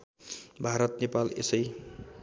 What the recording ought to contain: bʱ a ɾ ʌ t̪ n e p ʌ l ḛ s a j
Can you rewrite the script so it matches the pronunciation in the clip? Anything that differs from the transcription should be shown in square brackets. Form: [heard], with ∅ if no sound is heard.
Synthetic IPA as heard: bʱ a ɾ ʌ t̪ n e p [a] l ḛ s [ʌ] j